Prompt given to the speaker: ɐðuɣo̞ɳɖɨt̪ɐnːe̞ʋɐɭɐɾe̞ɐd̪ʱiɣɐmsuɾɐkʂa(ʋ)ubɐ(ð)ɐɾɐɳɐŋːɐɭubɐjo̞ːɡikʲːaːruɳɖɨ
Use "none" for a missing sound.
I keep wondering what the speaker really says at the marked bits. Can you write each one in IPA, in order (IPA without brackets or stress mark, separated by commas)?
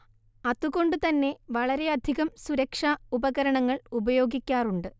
none, ɣ